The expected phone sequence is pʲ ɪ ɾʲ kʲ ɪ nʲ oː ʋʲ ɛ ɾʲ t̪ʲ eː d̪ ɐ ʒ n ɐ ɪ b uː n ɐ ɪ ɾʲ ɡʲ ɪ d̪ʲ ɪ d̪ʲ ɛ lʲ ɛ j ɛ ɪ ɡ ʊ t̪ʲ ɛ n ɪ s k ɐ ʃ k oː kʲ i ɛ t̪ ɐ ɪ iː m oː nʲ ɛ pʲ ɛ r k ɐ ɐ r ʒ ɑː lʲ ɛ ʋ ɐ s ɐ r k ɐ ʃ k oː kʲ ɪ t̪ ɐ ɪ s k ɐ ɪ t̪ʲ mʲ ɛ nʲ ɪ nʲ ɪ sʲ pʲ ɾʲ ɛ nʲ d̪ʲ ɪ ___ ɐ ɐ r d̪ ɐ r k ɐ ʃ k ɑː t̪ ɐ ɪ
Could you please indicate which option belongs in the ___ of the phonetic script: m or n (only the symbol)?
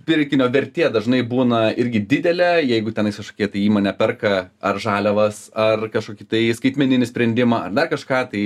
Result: m